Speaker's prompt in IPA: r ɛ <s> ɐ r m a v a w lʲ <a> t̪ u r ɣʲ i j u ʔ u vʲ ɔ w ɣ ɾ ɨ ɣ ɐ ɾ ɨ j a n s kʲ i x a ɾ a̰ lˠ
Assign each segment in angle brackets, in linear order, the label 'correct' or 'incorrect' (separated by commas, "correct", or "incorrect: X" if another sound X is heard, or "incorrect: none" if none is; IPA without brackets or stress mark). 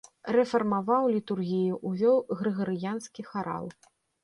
incorrect: f, incorrect: i